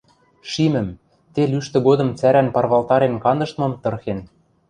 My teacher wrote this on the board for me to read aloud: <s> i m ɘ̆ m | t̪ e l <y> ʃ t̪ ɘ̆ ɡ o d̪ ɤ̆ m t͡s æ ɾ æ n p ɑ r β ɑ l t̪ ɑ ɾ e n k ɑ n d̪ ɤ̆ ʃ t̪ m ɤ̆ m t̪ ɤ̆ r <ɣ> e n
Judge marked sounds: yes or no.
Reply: no, yes, no

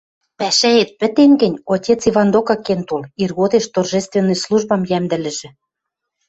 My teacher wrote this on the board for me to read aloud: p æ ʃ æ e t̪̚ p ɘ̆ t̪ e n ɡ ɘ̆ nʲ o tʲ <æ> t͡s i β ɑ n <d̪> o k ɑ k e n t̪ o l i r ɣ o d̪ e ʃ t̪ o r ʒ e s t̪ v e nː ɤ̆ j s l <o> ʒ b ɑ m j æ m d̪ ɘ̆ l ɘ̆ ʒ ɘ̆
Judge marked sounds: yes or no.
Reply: no, yes, no

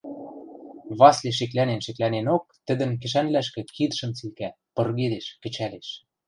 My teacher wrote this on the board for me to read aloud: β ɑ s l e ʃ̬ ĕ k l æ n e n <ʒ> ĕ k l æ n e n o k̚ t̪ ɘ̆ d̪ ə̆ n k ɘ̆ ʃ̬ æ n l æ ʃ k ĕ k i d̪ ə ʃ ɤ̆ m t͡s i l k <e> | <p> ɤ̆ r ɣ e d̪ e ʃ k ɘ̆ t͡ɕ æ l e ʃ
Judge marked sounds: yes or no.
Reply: no, no, yes

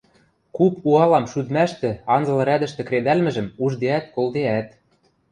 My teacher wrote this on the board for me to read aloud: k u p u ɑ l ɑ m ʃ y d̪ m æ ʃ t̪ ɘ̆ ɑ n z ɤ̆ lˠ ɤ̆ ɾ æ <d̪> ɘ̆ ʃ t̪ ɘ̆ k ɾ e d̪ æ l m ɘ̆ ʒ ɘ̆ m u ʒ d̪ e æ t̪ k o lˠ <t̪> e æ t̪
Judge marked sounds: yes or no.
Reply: yes, no

